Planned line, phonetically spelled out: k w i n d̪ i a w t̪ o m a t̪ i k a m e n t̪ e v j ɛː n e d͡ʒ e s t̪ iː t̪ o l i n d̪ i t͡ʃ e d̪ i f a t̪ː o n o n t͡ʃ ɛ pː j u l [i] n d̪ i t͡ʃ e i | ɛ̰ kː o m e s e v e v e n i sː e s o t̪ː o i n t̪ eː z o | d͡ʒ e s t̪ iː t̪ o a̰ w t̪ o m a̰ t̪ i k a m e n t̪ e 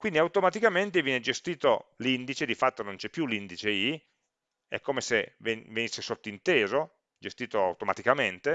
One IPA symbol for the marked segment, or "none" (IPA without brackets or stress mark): i